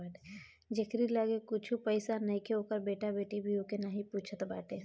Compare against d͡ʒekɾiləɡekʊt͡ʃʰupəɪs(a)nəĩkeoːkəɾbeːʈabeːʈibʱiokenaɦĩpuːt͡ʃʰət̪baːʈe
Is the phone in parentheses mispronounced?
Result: no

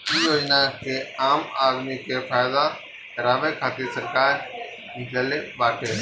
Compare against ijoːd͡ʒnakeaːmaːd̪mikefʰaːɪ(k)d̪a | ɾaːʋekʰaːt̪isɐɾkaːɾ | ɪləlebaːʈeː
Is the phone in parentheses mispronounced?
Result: yes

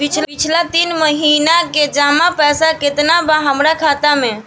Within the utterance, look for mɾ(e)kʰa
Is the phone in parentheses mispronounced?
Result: yes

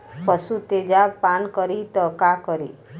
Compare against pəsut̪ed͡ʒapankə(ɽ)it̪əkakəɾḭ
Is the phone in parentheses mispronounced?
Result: yes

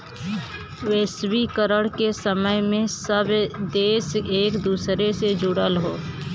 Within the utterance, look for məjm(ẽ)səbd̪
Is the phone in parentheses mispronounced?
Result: no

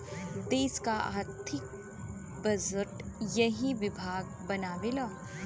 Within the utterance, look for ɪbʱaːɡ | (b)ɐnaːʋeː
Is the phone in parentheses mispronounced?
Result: no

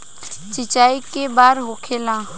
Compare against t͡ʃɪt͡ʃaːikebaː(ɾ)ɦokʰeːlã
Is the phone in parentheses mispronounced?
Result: no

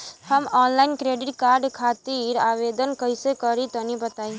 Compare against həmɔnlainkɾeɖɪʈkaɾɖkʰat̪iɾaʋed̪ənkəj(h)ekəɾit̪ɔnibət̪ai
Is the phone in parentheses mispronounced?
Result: yes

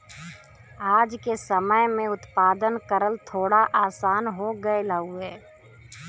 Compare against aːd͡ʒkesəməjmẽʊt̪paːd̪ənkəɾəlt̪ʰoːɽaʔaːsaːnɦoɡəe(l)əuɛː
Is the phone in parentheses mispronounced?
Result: no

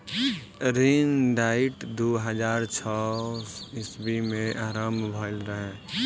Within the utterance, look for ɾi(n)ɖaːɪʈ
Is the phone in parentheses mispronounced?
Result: no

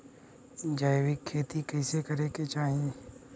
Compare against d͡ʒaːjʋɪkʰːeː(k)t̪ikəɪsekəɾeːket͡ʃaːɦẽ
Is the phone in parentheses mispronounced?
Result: yes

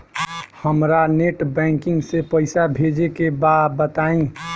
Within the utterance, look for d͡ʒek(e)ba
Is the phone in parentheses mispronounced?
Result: no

